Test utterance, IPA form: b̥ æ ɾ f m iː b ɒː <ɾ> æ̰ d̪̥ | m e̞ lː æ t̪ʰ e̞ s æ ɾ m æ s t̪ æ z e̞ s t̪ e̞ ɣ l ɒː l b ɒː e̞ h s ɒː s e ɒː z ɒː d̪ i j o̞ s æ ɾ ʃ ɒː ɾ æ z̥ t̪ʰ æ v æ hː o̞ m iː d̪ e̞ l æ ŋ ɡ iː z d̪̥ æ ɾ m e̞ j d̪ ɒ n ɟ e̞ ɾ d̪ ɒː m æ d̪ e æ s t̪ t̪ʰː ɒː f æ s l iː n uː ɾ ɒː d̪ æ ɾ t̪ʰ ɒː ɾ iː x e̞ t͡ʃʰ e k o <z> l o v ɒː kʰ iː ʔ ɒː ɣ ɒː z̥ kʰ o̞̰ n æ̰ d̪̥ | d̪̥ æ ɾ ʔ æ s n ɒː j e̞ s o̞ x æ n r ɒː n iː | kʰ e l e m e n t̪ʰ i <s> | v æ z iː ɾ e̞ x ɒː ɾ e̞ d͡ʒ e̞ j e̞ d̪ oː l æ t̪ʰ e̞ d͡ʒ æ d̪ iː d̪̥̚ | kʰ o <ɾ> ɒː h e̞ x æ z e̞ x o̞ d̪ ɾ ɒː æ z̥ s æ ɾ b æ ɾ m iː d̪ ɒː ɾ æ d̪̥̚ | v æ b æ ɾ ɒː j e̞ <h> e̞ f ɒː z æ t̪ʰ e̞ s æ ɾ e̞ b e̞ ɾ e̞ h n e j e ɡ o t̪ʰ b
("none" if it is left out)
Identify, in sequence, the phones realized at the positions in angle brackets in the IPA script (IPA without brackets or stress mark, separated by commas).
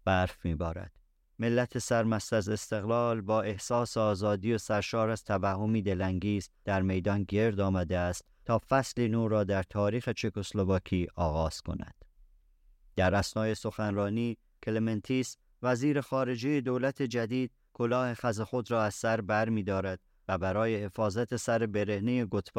ɾ, s, s, l, h